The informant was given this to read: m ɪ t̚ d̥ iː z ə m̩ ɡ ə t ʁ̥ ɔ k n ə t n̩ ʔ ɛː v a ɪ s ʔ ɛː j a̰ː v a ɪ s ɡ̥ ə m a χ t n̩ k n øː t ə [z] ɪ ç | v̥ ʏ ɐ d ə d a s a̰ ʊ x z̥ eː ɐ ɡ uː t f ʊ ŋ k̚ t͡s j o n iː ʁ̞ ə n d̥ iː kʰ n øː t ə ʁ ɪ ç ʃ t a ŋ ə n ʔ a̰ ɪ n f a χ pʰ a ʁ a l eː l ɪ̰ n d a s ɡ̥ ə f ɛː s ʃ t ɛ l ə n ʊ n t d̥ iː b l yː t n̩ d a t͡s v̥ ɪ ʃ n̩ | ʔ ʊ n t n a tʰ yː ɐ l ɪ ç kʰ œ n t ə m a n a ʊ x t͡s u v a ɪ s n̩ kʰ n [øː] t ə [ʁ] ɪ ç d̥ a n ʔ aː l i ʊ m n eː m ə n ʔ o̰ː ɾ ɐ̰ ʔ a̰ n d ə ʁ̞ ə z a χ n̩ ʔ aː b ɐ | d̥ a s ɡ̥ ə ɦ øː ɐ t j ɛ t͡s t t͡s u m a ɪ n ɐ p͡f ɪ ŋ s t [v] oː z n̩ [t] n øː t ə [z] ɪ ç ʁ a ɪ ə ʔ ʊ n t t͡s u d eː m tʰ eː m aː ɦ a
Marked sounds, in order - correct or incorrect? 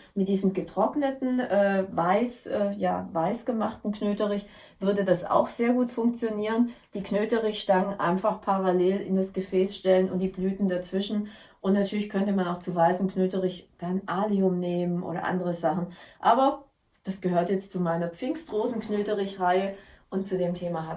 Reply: incorrect: ʁ, correct, correct, incorrect: ʁ, incorrect: k, incorrect: ʁ

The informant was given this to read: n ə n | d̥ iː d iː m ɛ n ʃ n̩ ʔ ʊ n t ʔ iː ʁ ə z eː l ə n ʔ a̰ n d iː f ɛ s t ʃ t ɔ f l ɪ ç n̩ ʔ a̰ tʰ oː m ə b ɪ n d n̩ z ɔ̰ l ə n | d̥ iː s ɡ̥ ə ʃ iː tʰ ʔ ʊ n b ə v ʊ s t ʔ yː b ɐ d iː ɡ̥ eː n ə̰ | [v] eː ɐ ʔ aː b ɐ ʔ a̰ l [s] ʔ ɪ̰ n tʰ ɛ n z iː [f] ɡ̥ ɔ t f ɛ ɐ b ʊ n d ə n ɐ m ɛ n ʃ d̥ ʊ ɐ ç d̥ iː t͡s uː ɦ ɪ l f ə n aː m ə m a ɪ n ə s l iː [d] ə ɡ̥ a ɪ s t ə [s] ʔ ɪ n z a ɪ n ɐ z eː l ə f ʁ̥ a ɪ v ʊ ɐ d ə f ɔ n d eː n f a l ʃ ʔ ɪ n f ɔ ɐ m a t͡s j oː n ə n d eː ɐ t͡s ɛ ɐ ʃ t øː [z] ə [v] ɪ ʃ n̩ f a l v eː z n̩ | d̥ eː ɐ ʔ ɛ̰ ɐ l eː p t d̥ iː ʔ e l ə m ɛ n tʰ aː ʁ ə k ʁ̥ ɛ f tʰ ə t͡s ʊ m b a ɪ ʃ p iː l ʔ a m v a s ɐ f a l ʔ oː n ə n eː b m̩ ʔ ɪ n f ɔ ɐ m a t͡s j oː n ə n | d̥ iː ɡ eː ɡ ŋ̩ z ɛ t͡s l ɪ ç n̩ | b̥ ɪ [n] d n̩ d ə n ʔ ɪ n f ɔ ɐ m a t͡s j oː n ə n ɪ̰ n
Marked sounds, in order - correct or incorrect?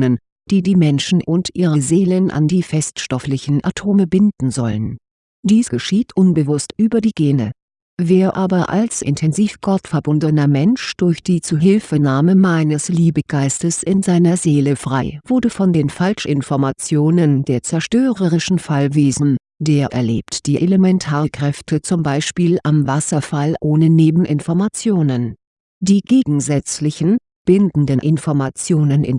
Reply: correct, correct, correct, incorrect: b, correct, incorrect: ʁ, incorrect: ʁ, correct

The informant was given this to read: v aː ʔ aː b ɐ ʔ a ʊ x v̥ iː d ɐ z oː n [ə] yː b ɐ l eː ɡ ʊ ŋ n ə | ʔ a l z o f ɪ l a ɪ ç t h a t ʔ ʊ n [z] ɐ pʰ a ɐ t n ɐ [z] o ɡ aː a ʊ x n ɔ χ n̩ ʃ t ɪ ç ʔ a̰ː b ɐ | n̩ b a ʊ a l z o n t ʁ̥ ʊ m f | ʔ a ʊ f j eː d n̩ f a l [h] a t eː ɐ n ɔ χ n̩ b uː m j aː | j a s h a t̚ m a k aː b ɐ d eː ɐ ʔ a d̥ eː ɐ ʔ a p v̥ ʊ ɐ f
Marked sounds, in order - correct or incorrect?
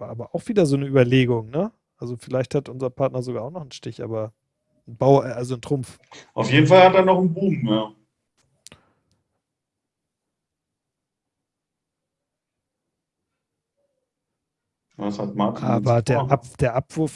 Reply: correct, correct, correct, correct

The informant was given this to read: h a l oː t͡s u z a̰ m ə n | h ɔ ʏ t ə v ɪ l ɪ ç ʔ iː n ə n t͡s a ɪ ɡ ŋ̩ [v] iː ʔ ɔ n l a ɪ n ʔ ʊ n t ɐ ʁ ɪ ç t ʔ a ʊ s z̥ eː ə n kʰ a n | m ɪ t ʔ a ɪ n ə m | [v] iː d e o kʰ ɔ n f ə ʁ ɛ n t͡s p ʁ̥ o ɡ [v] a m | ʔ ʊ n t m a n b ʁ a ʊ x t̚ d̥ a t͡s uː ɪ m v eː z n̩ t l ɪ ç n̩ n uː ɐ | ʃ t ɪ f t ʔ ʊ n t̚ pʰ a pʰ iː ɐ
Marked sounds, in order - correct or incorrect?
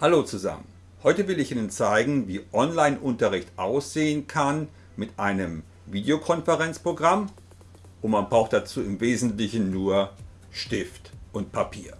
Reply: correct, correct, incorrect: ʁ

